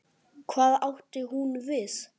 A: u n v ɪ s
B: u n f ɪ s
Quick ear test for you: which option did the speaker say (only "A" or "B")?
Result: A